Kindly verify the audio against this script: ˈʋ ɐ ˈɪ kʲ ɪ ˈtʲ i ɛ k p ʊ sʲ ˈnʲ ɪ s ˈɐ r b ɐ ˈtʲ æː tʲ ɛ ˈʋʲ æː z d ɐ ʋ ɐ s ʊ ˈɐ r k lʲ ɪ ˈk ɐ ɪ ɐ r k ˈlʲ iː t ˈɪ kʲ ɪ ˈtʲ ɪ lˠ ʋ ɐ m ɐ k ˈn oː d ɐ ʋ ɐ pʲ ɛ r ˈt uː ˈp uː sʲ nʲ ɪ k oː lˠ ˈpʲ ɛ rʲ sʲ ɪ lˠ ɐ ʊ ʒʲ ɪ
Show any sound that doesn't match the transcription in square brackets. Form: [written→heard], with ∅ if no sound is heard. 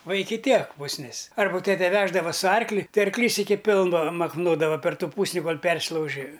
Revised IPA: ˈʋ ɐ ˈɪ kʲ ɪ ˈtʲ i ɛ k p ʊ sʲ ˈnʲ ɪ s ˈɐ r b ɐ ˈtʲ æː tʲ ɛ ˈʋʲ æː [z→ʒ] d ɐ ʋ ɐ s ʊ ˈɐ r k lʲ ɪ [ˈk→ˈt] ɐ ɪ ɐ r k ˈlʲ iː [t→s] ˈɪ kʲ ɪ [ˈtʲ→ˈpʲ] ɪ lˠ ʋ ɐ m ɐ k ˈn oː d ɐ ʋ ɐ pʲ ɛ r ˈt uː ˈp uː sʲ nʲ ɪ k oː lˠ ˈpʲ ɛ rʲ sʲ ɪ lˠ ɐ ʊ ʒʲ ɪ